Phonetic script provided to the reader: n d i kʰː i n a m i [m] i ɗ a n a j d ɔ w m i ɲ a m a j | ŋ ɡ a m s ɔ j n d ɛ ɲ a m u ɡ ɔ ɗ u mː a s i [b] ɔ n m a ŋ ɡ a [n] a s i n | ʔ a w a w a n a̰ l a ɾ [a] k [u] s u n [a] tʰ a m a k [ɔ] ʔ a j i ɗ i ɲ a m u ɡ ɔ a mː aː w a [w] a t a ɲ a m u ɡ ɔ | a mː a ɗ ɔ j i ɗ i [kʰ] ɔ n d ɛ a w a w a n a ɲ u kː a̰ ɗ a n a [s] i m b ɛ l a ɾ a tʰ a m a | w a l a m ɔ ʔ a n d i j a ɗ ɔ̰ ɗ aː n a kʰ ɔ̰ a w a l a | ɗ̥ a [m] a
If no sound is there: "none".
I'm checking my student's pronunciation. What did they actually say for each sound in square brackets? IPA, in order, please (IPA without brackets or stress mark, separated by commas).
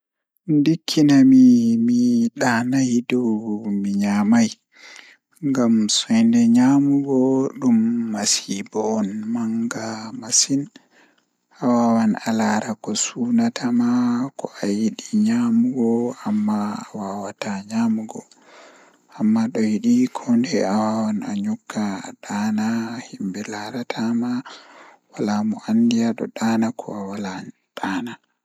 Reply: m, b, m, a, ɔ, a, ɔ, w, kʰ, h, n